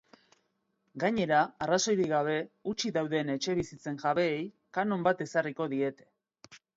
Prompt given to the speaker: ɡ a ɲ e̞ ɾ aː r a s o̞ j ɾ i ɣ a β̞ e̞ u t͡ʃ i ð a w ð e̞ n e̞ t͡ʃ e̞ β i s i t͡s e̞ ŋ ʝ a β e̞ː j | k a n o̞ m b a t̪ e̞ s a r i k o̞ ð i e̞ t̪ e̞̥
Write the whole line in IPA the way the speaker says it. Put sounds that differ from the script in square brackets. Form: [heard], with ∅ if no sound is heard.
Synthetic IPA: ɡ a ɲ e̞ ɾ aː r a s o̞ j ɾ i ɣ a β̞ e̞ u t͡ʃ i ð a w ð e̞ n e̞ t͡ʃ e̞ β i s i t͡s e̞ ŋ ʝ a β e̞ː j | k a n o̞ m b a t̪ e̞ s a r i k o̞ ð i e̞ t̪ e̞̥